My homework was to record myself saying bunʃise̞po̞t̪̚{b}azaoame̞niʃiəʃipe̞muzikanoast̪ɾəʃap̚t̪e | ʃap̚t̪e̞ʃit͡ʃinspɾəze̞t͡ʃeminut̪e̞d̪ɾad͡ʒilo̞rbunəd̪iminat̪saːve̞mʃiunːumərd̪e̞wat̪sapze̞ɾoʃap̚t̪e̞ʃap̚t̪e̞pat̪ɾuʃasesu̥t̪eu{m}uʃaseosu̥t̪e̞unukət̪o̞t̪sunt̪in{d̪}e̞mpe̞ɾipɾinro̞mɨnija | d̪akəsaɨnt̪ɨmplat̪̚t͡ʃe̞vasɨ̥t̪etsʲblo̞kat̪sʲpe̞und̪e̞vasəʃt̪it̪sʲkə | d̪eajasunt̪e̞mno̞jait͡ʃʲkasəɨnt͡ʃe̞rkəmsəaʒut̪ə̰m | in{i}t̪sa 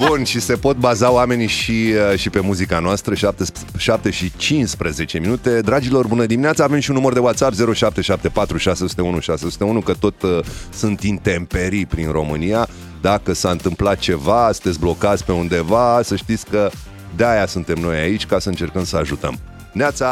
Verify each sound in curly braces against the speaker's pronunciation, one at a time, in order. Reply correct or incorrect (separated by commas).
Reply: correct, incorrect, incorrect, incorrect